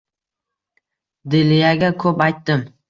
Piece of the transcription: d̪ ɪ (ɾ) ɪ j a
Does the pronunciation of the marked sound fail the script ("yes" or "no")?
yes